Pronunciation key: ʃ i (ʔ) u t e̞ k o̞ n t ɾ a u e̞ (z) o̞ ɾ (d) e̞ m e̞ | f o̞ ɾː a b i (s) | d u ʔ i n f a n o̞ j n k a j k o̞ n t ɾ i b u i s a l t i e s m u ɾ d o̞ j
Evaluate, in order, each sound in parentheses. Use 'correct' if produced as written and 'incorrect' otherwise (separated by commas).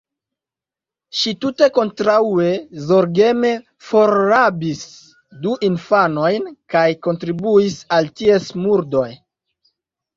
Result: incorrect, correct, incorrect, correct